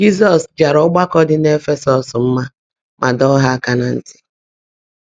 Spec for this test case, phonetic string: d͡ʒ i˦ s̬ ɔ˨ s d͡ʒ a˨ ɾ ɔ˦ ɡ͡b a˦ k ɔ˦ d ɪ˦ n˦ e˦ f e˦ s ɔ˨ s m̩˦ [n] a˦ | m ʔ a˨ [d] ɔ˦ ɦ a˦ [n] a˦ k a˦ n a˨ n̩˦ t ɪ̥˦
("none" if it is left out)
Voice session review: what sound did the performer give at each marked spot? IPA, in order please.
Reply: m, d, none

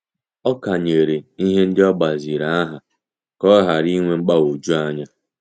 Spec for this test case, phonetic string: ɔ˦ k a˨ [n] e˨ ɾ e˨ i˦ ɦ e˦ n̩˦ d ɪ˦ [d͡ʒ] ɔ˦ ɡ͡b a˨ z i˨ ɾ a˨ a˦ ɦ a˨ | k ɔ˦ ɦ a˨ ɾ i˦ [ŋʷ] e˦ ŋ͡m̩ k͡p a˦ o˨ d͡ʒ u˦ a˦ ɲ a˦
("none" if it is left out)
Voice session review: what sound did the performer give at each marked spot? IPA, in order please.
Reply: ɲ, none, ŋʷ

